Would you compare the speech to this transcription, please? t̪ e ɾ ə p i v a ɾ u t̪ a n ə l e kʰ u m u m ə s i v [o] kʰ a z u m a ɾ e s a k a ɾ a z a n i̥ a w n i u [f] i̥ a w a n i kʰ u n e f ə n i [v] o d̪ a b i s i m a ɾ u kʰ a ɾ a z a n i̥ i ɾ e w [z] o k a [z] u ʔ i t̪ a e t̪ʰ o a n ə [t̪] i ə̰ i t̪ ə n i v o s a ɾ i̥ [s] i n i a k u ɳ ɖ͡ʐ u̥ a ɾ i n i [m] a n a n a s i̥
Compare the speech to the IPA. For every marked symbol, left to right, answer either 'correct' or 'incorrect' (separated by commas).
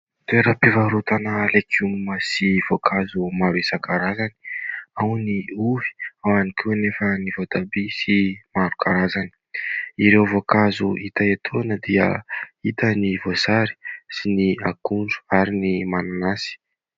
correct, incorrect, correct, incorrect, correct, incorrect, correct, correct